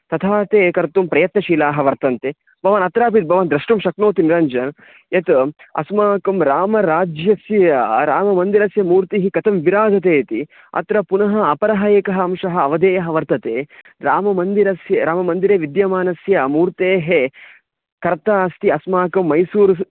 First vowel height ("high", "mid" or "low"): low